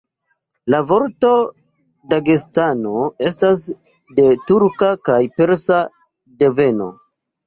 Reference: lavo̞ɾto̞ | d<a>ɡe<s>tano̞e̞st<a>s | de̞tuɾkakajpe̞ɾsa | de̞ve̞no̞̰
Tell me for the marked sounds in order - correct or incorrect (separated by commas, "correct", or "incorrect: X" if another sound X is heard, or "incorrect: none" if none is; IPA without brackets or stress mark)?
correct, correct, correct